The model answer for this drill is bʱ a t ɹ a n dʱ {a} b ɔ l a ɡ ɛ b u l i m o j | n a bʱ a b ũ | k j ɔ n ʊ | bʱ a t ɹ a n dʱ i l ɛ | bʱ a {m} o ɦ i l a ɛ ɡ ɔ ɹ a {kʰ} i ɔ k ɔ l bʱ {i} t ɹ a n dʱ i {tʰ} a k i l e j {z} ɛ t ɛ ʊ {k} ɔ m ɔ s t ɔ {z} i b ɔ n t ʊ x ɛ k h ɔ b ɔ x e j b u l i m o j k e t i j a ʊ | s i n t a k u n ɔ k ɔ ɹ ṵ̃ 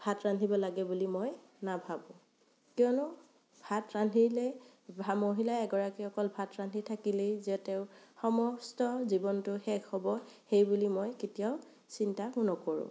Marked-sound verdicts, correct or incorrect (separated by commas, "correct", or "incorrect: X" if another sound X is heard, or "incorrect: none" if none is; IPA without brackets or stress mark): incorrect: i, correct, incorrect: k, incorrect: a, correct, correct, incorrect: x, correct